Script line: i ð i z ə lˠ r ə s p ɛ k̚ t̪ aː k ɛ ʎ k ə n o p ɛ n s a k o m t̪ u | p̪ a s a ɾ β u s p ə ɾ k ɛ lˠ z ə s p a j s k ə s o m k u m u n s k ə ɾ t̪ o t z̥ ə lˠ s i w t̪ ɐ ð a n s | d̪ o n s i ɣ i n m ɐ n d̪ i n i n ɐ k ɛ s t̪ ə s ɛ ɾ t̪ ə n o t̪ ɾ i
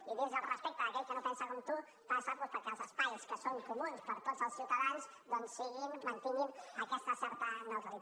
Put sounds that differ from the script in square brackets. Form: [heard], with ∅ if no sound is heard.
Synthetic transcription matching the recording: i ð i z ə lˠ r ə s p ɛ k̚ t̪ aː k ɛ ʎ k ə n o p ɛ n s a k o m t̪ u | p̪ a s a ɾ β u s p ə ɾ k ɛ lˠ z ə s p a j s k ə s o [ŋ] k u m u n s [p] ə ɾ t̪ o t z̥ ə lˠ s i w t̪ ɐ ð a n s | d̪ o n s i ɣ i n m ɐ n [t̪] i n i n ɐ k ɛ s t̪ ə s ɛ ɾ t̪ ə n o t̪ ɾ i